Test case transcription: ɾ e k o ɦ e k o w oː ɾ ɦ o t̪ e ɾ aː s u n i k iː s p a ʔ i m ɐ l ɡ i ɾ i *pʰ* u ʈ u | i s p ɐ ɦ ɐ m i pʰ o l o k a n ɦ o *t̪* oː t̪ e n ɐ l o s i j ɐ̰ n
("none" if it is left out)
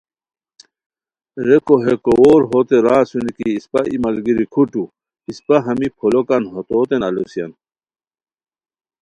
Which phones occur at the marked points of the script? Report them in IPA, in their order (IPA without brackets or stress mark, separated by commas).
kʰ, t̪